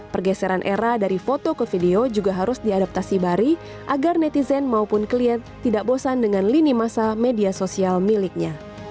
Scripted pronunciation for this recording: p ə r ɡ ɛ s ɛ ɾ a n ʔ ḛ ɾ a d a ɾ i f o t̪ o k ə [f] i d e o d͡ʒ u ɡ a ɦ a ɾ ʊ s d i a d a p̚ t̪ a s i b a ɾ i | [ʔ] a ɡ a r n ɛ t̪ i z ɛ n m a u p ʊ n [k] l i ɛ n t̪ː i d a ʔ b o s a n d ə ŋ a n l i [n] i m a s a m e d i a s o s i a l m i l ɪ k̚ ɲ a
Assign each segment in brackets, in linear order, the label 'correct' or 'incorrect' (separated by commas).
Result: correct, correct, correct, correct